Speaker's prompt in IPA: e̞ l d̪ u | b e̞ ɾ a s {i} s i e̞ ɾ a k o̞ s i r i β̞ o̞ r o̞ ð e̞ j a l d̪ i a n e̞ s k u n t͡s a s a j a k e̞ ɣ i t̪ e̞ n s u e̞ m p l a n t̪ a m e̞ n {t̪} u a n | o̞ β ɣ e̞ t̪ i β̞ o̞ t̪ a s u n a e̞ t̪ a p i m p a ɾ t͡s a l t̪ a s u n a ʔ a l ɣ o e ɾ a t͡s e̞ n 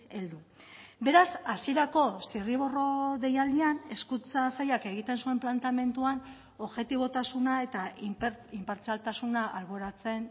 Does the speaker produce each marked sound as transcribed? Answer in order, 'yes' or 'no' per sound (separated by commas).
no, yes